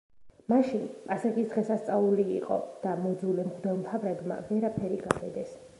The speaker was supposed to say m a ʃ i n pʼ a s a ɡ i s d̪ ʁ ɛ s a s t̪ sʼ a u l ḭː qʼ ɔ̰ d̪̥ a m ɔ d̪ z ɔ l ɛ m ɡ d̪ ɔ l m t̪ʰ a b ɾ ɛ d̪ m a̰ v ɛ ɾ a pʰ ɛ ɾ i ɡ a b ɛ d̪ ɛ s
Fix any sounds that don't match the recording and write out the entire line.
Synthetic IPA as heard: m a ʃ i n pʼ a s a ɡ i s d̪ ʁ ɛ s a s t̪ sʼ a u l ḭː qʼ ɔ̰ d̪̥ a m ɔ d̪ z u l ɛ m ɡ d̪ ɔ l m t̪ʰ a v ɾ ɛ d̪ m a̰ v ɛ ɾ a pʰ ɛ ɾ i ɡ a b ɛ d̪ ɛ s